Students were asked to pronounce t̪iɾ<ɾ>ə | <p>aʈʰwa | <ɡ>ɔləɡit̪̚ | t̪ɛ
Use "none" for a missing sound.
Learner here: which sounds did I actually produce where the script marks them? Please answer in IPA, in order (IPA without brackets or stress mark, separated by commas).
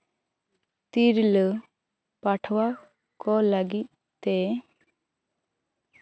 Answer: l, p, k